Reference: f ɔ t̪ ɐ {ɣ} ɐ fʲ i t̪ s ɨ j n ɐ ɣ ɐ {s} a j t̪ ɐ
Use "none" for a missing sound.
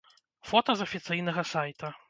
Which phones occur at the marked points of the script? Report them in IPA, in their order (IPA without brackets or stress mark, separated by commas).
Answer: z, s